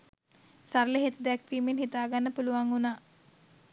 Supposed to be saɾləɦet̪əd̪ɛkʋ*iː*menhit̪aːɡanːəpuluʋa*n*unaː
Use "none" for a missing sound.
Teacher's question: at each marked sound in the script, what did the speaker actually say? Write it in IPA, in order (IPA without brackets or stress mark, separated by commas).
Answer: iː, ŋ